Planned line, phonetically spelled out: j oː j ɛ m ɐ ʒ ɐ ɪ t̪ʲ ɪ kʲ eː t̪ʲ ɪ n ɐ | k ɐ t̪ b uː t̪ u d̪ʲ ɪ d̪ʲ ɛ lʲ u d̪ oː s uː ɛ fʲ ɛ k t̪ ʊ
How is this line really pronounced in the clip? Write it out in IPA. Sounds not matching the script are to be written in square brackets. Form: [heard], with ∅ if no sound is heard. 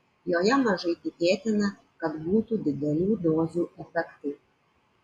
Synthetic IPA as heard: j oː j ɛ m ɐ ʒ ɐ ɪ t̪ʲ ɪ kʲ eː t̪ʲ ɪ n ɐ | k ɐ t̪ b uː t̪ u d̪ʲ ɪ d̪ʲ ɛ lʲ [uː] d̪ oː [z] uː ɛ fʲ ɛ k t̪ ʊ